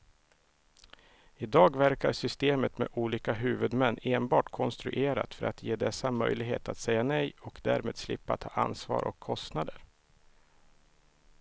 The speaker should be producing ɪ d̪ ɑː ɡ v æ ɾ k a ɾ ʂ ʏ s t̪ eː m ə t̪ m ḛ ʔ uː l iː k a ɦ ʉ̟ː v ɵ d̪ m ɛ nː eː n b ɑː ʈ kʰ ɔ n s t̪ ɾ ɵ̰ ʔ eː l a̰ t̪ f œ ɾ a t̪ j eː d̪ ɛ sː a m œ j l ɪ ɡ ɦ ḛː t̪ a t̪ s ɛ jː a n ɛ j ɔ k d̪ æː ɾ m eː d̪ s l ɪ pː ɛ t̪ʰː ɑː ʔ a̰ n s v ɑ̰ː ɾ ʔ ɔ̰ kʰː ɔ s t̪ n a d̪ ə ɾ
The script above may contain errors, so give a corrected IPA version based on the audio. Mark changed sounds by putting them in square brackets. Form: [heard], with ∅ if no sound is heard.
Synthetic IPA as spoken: ɪ d̪ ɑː ɡ v æ ɾ k a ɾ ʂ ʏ s t̪ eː m ə t̪ m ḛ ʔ uː l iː k a ɦ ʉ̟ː v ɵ d̪ m ɛ nː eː n b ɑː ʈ kʰ ɔ n s t̪ ɾ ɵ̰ ʔ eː [ɾ] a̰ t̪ f œ ɾ a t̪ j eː d̪ ɛ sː a m œ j l ɪ ɡ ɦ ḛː t̪ a t̪ s ɛ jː a n ɛ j ɔ k d̪ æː ɾ m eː d̪ s l ɪ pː [a] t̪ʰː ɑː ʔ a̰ n s v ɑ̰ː ɾ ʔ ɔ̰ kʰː ɔ s t̪ n a d̪ ə ɾ